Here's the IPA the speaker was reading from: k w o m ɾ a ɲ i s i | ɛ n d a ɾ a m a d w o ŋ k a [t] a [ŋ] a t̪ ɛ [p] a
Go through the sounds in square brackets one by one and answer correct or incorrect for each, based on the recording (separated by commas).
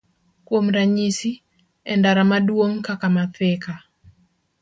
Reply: incorrect, incorrect, incorrect